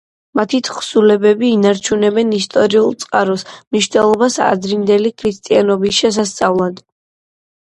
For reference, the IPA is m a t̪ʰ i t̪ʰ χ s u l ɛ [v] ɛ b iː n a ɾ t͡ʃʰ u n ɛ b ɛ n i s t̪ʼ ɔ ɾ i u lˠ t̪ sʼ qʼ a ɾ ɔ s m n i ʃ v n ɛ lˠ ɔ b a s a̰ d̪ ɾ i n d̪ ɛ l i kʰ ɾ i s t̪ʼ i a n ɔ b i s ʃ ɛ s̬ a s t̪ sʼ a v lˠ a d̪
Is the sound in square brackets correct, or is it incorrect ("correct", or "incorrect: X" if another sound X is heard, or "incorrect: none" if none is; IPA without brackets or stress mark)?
incorrect: b